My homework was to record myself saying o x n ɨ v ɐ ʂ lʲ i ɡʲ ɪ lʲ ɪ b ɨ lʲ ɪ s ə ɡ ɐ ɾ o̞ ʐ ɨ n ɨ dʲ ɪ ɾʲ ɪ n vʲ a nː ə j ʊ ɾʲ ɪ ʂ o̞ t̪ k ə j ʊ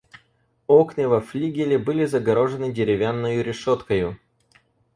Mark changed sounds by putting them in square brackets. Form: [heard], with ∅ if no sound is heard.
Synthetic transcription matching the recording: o [k] n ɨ v ɐ [f] lʲ i ɡʲ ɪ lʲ ɪ b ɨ lʲ ɪ [z] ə ɡ ɐ ɾ o̞ ʐ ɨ n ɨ dʲ ɪ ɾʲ ɪ [∅] vʲ a nː ə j ʊ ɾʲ ɪ ʂ o̞ t̪ k ə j ʊ